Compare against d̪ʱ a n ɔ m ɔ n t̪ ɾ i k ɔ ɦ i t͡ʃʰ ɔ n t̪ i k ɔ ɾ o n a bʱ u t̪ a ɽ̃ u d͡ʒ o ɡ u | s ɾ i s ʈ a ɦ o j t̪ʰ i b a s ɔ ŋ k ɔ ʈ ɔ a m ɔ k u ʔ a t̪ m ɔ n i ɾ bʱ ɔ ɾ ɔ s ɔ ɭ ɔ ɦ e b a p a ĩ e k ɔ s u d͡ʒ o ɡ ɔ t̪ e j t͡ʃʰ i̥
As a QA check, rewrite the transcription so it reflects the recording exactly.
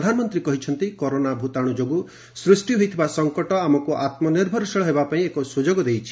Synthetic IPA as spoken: d̪ʱ a n ɔ m ɔ n t̪ ɾ i k ɔ ɦ i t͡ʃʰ ɔ n t̪ i k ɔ ɾ o n a bʱ u t̪ a ɽ̃ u d͡ʒ o ɡ u | s ɾ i s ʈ i ɦ o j t̪ʰ i b a s ɔ ŋ k ɔ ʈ ɔ a m ɔ k u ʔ a t̪ m ɔ n i ɾ bʱ ɔ ɾ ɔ s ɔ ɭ ɔ ɦ e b a p a ĩ e k ɔ s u d͡ʒ o ɡ ɔ d̪ e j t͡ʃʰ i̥